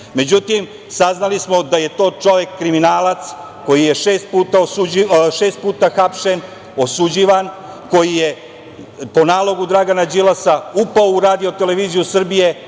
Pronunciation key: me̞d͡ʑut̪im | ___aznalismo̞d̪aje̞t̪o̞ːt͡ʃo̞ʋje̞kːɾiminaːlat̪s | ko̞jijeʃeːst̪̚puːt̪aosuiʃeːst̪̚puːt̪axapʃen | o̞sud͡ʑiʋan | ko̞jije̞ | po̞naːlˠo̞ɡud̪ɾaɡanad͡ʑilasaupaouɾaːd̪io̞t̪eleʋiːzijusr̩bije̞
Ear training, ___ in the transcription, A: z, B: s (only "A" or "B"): B